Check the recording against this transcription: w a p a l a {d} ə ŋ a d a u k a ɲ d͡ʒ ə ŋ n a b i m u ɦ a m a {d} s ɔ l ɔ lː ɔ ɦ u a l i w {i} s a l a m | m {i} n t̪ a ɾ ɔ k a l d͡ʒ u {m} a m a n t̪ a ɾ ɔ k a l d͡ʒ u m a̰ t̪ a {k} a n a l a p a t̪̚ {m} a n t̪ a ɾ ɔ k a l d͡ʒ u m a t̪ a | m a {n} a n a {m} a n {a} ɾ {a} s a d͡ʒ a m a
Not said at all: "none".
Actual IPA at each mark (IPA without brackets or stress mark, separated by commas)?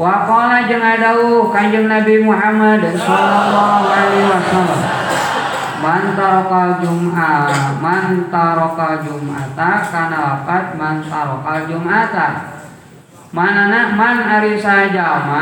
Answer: d͡ʒ, d, a, a, m, k, m, n, m, a, i